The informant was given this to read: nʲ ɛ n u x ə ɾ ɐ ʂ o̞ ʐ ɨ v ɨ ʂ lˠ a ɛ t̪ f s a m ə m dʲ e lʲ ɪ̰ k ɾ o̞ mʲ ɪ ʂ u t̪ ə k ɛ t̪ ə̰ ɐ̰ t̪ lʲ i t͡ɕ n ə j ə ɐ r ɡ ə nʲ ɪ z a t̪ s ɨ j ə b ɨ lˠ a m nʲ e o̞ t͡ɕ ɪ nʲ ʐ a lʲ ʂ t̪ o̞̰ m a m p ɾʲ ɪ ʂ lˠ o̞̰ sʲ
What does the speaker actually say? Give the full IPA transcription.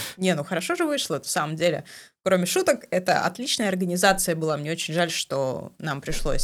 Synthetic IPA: nʲ e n u x ə ɾ ɐ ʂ o̞ ʐ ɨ v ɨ ʂ lˠ ə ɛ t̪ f s a m ə m dʲ e lʲ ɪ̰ k ɾ o̞ mʲ ɪ ʂ u t̪ ə k ɛ t̪ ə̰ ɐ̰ t̪ lʲ i t͡ɕ n ə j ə ɐ r ɡ ə nʲ ɪ z a t̪ s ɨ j ə b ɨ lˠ a m nʲ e o̞ t͡ɕ ɪ nʲ ʐ a lʲ ʂ t̪ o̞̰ n a m p ɾʲ ɪ ʂ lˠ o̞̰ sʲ